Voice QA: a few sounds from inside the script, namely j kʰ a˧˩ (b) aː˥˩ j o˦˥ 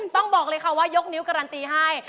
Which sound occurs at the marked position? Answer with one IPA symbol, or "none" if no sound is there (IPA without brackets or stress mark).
w